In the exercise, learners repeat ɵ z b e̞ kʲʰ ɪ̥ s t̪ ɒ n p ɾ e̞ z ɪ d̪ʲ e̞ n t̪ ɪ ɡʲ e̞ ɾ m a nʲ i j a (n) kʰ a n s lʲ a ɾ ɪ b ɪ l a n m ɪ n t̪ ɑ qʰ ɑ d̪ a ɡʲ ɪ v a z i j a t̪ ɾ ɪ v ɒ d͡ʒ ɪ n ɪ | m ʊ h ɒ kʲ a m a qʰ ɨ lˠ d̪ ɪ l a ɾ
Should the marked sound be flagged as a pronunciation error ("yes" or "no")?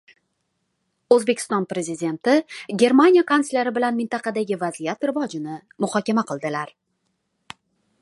yes